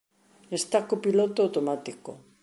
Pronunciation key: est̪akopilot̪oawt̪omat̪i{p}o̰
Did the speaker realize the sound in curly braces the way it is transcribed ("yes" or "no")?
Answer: no